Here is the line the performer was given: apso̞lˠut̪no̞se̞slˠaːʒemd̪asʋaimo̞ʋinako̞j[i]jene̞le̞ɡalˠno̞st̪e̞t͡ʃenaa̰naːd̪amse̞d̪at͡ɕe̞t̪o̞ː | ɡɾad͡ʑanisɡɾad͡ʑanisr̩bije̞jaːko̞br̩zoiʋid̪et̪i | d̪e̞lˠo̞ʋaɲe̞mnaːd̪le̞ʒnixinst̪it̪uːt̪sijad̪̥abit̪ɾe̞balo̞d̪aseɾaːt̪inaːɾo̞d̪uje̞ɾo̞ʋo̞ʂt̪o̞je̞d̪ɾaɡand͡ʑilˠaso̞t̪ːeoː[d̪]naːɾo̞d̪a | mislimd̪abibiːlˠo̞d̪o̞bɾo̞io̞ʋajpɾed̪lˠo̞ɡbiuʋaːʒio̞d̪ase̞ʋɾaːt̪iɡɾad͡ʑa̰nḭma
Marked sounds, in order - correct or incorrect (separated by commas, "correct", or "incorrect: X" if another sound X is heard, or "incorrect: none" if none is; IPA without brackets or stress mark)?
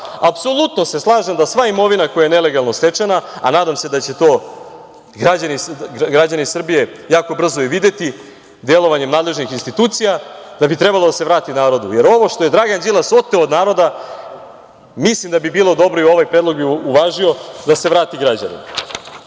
incorrect: a, correct